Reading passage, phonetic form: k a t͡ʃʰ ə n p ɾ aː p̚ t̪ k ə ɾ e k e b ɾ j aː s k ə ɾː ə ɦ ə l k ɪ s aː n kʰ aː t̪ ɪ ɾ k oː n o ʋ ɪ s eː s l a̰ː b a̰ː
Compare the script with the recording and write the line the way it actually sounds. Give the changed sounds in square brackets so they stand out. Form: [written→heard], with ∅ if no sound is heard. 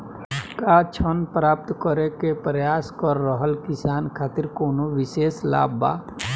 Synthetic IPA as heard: k a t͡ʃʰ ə n p ɾ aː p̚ t̪ k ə ɾ e k e [b→p] ɾ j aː s k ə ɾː ə ɦ ə l k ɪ s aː n kʰ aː t̪ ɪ ɾ k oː n o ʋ ɪ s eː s l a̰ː b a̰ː